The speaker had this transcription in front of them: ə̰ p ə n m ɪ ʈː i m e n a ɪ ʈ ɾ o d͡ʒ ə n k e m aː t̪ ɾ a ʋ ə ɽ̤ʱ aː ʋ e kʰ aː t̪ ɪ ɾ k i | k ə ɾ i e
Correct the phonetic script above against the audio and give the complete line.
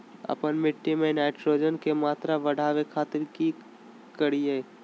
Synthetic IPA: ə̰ p ə n m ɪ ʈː i m e n a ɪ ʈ ɾ o d͡ʒ ə n k e m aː t̪ ɾ a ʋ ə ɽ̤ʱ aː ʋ e kʰ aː t̪ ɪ ɾ k i | k ə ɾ i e